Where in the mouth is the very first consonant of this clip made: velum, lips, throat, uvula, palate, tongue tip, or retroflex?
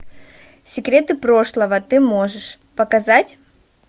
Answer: tongue tip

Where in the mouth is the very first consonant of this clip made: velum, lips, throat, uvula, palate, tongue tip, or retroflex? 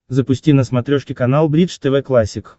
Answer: tongue tip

